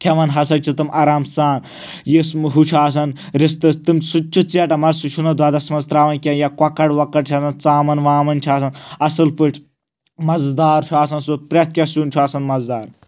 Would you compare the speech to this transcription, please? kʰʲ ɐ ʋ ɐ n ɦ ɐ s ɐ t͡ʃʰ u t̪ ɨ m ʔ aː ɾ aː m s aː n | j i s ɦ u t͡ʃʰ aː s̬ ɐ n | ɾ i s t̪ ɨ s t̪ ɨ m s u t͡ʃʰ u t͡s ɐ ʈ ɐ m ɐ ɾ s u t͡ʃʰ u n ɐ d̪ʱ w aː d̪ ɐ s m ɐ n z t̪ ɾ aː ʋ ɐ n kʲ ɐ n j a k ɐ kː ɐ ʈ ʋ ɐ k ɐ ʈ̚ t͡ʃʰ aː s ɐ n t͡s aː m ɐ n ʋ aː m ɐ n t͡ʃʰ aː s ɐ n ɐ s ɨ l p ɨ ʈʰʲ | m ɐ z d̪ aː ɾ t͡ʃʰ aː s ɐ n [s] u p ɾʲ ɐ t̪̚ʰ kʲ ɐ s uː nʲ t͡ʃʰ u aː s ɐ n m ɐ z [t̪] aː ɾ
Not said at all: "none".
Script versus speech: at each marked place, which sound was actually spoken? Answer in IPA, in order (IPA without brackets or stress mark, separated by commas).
s, d̪